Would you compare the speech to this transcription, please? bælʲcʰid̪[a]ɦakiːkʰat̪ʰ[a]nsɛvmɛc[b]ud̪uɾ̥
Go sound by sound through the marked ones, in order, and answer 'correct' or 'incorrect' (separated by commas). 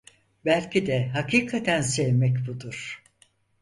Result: incorrect, incorrect, correct